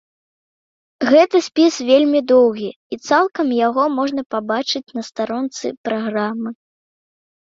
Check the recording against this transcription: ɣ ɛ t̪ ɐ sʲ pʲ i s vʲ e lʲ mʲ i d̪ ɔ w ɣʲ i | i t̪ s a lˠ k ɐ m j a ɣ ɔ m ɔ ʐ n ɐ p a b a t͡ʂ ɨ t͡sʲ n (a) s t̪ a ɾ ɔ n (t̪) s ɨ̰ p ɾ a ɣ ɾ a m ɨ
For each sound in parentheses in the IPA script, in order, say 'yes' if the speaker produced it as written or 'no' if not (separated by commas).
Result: no, yes